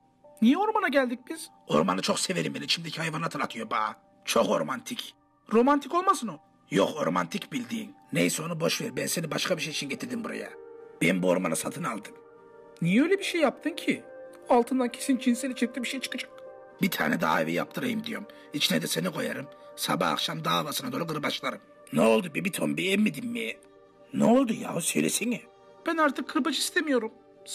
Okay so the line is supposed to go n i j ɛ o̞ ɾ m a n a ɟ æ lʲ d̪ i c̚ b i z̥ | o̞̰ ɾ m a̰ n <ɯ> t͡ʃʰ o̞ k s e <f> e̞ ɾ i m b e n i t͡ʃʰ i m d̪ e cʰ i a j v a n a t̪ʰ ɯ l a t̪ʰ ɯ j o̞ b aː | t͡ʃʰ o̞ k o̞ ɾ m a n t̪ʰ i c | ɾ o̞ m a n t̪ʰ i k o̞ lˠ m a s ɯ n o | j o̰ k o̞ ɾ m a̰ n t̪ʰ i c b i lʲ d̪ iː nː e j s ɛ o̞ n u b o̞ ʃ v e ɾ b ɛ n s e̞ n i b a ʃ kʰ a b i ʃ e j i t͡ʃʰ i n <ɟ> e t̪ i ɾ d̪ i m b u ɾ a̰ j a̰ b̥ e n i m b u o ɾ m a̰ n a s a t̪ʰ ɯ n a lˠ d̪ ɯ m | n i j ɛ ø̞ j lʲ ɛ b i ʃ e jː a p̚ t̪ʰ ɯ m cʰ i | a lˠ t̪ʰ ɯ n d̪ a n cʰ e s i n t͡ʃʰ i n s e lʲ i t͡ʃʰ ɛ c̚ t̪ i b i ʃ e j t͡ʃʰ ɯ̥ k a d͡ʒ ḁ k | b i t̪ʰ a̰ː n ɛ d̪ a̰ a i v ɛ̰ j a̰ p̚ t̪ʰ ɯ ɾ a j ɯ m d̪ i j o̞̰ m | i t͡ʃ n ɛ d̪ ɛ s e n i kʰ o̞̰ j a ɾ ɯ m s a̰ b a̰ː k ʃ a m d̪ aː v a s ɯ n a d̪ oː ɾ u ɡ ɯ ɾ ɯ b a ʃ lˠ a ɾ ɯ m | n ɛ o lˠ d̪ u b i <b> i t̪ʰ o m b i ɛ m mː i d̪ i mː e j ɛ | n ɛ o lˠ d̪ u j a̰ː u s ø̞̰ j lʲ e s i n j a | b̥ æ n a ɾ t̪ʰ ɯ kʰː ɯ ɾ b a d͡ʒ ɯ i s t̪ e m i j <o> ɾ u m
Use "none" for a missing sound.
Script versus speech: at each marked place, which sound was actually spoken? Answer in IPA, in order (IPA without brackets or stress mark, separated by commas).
ɯ, v, ɟ, b, o